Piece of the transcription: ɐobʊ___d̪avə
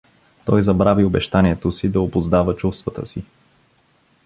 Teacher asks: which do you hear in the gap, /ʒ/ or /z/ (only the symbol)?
z